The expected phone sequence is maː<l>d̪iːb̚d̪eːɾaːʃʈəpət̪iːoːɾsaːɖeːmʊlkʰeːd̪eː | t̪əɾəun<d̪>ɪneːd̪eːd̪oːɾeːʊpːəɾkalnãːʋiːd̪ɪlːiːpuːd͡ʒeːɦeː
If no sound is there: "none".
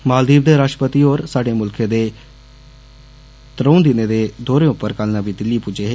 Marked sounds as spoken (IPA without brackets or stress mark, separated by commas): l, d̪